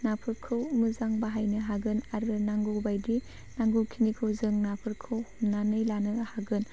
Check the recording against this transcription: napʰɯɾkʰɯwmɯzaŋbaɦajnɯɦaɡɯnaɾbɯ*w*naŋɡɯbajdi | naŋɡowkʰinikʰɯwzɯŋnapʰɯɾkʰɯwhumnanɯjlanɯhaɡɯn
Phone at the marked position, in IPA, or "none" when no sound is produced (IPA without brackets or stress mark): none